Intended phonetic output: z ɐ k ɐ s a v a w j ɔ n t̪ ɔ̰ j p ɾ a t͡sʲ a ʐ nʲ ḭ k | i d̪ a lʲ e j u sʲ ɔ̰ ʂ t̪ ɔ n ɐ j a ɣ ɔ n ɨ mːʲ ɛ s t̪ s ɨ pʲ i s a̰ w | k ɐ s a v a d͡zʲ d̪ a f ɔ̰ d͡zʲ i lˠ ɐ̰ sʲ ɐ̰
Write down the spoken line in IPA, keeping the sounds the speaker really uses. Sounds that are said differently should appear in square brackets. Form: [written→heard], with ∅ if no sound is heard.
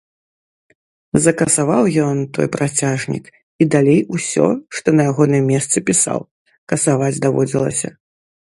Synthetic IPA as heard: z ɐ k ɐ s a v a w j ɔ n t̪ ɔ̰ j p ɾ a t͡sʲ a ʐ nʲ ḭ k | i d̪ a lʲ e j u sʲ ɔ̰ ʂ t̪ ɔ n ɐ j a ɣ ɔ n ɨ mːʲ ɛ s t̪ s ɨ pʲ i s a̰ w | k ɐ s a v a d͡zʲ d̪ a [f→v] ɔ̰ d͡zʲ i lˠ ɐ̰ sʲ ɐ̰